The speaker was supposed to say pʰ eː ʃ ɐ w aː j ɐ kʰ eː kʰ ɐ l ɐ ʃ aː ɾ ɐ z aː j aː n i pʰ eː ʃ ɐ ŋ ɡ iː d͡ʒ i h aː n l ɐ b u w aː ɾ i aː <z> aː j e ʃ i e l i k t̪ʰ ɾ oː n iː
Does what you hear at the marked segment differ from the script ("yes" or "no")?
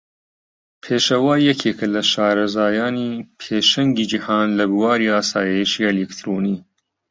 yes